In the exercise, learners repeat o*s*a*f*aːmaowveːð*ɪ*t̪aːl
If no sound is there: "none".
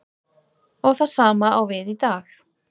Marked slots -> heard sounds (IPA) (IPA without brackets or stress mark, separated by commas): θ, s, i